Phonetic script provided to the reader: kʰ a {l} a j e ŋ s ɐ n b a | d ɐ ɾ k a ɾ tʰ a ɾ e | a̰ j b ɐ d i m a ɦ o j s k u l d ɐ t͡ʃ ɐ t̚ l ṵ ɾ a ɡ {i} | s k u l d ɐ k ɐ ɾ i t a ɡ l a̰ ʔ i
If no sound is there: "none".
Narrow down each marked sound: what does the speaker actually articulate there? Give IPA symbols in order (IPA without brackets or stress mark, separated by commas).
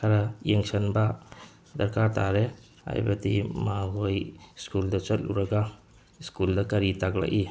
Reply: ɾ, a